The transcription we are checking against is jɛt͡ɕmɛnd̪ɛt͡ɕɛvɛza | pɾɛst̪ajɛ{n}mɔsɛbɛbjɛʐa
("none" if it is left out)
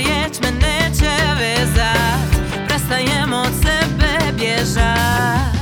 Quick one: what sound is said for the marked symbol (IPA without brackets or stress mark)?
none